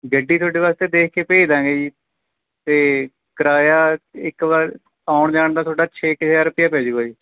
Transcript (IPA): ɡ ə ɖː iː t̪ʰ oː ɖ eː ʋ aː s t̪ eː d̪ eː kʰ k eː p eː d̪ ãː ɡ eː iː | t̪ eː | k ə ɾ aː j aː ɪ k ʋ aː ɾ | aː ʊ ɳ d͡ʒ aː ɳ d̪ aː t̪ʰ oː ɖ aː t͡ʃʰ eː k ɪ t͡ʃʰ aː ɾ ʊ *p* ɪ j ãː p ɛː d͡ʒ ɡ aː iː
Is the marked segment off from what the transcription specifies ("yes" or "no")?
no